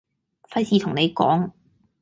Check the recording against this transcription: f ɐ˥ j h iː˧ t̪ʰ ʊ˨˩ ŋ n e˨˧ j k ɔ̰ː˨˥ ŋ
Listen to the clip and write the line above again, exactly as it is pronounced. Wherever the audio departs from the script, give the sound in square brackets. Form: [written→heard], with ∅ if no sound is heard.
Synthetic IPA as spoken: f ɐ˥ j [h→s] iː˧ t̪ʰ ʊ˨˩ ŋ n e˨˧ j k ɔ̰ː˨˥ ŋ